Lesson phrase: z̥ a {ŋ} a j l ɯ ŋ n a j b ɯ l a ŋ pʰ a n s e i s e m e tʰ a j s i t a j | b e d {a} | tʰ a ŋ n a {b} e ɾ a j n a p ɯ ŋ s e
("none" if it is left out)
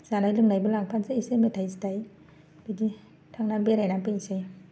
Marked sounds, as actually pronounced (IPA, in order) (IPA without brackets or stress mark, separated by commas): n, i, b